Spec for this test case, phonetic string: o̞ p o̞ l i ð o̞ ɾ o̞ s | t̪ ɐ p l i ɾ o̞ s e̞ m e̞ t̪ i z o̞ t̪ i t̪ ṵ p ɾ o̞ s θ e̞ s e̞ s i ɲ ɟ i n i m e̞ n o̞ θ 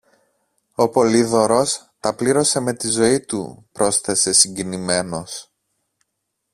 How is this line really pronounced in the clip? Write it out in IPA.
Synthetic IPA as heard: o̞ p o̞ l i ð o̞ ɾ o̞ s | t̪ ɐ p l i ɾ o̞ s e̞ m e̞ t̪ i z o̞ i t̪ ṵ p ɾ o̞ s θ e̞ s e̞ s i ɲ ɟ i n i m e̞ n o̞ s